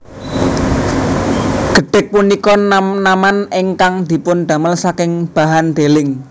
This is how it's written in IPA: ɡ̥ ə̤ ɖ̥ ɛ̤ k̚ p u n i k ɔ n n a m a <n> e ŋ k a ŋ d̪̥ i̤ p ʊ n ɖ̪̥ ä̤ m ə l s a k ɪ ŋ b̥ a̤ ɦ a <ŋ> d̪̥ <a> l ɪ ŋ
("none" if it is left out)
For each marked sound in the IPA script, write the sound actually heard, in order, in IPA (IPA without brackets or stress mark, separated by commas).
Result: n, n, e